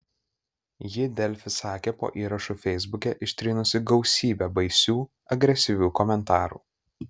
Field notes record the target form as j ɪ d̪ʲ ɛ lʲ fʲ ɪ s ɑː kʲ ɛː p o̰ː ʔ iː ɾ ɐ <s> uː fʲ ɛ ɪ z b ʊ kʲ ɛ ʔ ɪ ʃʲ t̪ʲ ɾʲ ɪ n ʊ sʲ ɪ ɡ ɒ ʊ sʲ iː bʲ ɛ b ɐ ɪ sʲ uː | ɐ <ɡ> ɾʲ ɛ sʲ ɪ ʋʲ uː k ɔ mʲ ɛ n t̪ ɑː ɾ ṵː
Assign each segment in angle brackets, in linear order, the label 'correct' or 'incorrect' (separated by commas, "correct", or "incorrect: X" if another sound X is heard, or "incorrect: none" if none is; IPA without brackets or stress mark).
incorrect: ʃ, correct